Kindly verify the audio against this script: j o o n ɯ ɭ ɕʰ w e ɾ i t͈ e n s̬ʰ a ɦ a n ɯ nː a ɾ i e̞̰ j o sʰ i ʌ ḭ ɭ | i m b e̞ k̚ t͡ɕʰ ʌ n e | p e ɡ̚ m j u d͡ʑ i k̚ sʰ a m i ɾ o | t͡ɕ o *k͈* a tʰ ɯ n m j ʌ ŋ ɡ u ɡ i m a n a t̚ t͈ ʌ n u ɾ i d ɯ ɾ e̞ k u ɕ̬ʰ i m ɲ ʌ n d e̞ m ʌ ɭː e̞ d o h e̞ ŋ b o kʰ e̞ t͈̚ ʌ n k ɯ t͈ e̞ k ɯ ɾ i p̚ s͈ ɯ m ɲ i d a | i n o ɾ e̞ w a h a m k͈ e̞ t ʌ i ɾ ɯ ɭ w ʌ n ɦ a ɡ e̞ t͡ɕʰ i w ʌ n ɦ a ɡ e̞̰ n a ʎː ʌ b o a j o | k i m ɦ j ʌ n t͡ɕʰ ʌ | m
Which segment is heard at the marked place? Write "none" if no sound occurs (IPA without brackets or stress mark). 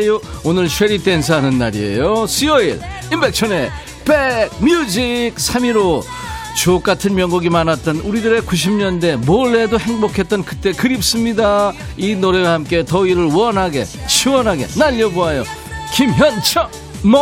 k͈